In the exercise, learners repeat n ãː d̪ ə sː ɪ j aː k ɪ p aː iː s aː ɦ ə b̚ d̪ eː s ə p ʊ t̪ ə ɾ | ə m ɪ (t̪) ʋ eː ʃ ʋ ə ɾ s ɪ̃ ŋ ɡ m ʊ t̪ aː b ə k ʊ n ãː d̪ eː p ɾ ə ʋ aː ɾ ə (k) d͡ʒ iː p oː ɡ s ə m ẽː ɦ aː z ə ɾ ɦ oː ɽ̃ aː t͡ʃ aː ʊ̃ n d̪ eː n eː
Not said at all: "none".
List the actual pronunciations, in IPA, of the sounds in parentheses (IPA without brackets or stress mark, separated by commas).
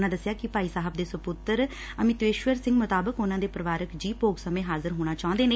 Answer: t̪, k